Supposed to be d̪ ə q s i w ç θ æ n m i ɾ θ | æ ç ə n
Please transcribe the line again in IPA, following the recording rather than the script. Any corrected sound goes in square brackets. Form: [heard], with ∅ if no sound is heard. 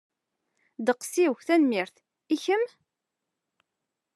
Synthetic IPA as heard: d̪ ə q s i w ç θ æ n m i ɾ θ | [i] ç ə [m]